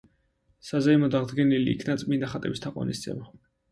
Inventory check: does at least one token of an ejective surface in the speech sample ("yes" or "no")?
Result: yes